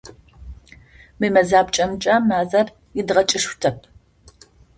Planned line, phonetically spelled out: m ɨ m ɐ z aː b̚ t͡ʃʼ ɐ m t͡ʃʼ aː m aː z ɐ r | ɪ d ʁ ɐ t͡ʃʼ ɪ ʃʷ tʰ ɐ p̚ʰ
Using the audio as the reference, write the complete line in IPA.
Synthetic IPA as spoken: m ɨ m ɐ z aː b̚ t͡ʃʼ ɐ m t͡ʃʼ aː m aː z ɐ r | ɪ d ʁ ɐ t͡ʃʼ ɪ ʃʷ tʰ ɐ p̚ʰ